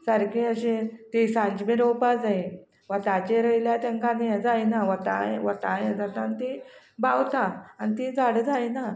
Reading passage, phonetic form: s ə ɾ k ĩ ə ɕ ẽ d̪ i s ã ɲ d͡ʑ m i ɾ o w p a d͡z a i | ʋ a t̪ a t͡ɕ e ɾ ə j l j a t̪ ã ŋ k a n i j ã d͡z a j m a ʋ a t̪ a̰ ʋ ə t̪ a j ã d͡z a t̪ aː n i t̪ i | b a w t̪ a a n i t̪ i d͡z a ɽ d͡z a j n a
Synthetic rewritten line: s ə ɾ k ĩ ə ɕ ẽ t̪ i s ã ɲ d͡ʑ m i ɾ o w p a d͡z a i | ʋ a t̪ a t͡ɕ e ɾ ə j l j a t̪ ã ŋ k a n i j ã d͡z a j n a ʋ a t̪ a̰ ʋ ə t̪ a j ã d͡z a t̪ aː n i t̪ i | b a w t̪ a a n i t̪ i d͡z a ɽ d͡z a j n a